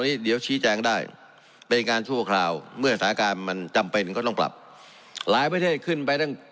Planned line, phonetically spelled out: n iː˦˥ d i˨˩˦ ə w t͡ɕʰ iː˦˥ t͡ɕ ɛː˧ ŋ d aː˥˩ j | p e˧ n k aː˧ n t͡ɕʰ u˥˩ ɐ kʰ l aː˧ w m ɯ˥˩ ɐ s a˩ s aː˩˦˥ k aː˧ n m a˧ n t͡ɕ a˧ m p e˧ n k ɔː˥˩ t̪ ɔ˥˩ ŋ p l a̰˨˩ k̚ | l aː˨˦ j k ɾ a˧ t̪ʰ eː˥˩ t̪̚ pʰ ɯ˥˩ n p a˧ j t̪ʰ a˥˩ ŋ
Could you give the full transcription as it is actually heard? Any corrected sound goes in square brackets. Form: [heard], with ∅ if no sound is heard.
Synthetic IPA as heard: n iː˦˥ d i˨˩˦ ə w t͡ɕʰ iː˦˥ t͡ɕ ɛː˧ ŋ d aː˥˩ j | p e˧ n k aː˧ n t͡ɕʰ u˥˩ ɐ kʰ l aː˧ w m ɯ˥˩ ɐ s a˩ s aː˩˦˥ k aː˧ n m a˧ n t͡ɕ a˧ m p e˧ n k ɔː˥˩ t̪ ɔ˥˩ ŋ p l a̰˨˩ [p̚] | l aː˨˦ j [p] ɾ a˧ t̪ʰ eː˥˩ t̪̚ [kʰ] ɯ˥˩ n p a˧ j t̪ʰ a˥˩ ŋ